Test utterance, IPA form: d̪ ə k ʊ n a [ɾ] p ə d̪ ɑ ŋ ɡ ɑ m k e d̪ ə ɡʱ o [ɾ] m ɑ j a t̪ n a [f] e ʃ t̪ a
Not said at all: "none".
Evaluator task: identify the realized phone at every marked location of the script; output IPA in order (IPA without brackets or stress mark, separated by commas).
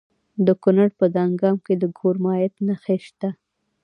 ɽ, ɾ, x